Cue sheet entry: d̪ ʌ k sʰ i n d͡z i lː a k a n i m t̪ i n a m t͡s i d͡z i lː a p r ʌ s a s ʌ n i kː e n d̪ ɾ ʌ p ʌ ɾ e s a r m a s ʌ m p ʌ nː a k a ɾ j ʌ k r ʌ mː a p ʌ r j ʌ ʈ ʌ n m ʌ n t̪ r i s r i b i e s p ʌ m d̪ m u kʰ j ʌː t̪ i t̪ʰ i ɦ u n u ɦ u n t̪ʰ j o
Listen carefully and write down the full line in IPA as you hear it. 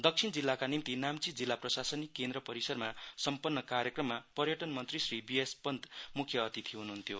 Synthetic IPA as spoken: d̪ ʌ k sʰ i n d͡z i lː a k a n i m t̪ i n a m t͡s i d͡z i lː a p r ʌ s a s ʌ n i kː e n d̪ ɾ ʌ p ʌ ɾ i s ʌ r m a s ʌ m p ʌ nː ʌ k a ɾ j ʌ k r ʌ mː a p ʌ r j ʌ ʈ ʌ n m ʌ n t̪ r i s r i b i e s p ʌ n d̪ m u kʰ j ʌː t̪ i t̪ʰ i ɦ u n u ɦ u n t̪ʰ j o